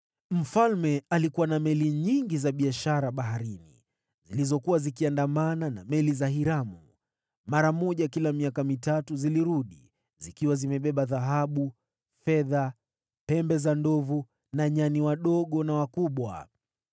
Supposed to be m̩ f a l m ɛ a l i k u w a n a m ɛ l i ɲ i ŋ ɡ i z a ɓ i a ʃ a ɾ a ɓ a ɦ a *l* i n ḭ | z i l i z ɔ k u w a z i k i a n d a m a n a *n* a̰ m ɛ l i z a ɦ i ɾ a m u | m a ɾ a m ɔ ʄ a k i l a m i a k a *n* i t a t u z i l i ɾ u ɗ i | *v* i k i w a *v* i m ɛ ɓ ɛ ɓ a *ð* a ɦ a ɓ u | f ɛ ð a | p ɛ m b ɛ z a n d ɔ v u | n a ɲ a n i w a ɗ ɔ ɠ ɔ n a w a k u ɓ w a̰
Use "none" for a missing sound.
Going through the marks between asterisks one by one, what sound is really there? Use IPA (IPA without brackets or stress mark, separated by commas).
ɾ, n, m, z, z, ð